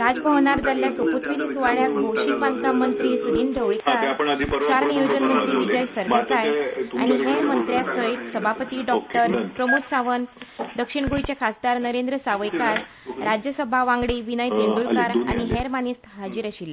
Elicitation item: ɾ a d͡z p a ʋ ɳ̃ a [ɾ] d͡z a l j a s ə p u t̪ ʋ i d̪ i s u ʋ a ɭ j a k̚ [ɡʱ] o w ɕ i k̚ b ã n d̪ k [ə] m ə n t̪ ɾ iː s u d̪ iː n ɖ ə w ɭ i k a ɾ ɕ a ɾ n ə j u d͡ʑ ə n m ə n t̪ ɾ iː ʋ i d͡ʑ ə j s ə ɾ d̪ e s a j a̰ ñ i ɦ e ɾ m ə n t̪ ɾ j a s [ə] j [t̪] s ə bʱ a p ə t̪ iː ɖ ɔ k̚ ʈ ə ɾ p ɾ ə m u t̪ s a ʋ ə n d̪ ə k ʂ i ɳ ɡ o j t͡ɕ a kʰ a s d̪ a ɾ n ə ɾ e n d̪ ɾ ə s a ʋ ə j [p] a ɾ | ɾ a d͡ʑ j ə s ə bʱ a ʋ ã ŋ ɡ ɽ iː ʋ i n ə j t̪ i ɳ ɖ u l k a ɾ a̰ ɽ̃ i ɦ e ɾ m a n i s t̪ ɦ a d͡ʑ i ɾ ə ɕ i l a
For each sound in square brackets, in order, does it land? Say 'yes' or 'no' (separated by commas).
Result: yes, no, no, yes, yes, no